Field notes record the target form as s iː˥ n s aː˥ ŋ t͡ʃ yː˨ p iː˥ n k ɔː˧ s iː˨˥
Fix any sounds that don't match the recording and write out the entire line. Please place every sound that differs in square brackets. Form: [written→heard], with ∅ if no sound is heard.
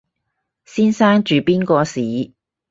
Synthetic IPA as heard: s iː˥ n s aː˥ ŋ t͡ʃ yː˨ p iː˥ n k ɔː˧ s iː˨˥